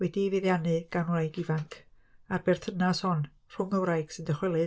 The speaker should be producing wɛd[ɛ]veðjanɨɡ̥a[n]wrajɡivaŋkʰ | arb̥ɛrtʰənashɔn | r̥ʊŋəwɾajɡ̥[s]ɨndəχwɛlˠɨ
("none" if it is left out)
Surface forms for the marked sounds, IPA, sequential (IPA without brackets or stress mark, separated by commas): i, n, s